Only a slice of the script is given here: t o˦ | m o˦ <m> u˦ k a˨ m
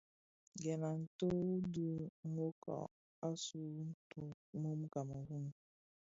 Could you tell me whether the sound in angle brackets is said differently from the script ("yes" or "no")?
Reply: no